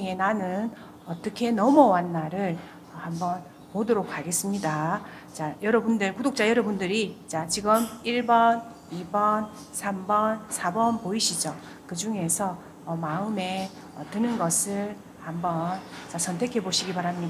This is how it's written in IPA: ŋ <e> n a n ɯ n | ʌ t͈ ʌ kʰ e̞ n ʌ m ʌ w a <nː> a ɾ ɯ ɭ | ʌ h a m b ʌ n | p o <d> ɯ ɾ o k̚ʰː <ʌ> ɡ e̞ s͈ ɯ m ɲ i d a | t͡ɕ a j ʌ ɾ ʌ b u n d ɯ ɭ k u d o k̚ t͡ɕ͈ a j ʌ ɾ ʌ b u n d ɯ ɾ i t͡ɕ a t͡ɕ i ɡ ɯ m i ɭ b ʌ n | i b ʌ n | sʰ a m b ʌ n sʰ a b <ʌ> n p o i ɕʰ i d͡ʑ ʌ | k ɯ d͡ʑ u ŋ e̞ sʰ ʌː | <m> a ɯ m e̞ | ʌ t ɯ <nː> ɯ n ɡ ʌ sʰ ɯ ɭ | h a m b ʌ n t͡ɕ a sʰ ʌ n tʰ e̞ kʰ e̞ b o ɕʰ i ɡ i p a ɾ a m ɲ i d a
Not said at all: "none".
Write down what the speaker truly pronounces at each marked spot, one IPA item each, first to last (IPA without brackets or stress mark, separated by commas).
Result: e, nː, d, a, ʌ, m, n